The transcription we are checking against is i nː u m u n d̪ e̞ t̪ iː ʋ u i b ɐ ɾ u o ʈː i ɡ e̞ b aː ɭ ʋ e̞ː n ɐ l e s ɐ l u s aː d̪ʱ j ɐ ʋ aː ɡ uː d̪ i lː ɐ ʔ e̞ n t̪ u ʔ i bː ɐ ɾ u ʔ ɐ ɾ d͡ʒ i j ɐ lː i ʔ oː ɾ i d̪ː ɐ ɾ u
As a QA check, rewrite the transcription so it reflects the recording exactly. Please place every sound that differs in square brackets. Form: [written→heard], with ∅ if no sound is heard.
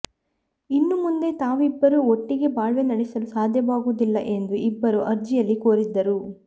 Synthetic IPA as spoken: i nː u m u n d̪ e̞ t̪ [iː→aː] ʋ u i [b→bː] ɐ ɾ u o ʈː i ɡ e̞ b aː ɭ ʋ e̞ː n ɐ [l→ɽ] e s ɐ l u s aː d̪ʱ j ɐ ʋ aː ɡ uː d̪ i lː ɐ ʔ e̞ n [t̪→d̪] u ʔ i bː ɐ ɾ u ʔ ɐ ɾ d͡ʒ i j ɐ lː i [ʔ→k] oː ɾ i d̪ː ɐ ɾ u